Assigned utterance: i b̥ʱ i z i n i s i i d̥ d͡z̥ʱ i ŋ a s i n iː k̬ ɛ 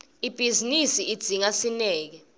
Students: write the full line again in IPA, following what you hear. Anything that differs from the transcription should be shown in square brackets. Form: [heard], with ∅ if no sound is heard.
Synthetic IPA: i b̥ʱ i z i n i s i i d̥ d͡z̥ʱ i ŋ a s i n [ɛː] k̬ ɛ